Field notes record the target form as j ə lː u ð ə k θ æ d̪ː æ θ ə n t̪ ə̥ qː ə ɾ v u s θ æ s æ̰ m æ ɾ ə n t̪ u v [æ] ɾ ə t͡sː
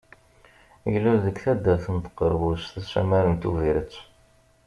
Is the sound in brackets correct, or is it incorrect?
incorrect